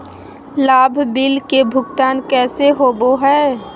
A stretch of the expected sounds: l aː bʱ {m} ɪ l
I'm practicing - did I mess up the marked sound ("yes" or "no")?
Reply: yes